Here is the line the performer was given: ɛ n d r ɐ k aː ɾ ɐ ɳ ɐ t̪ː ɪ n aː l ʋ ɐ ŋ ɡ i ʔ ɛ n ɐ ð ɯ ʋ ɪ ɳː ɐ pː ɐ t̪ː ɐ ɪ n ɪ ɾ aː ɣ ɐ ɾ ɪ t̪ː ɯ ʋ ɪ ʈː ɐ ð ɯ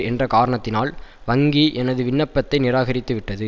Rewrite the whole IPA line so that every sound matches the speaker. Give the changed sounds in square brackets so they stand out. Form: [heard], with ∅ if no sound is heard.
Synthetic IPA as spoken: ɛ n d r ɐ k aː ɾ ɐ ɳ ɐ t̪ː ɪ n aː l ʋ ɐ ŋ ɡ i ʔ ɛ n ɐ ð ɯ ʋ ɪ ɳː ɐ pː ɐ t̪ː ɐ ɪ n ɪ ɾ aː ɣ ɐ ɾ ɪ t̪ː ɯ ʋ ɪ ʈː ɐ ð ɯ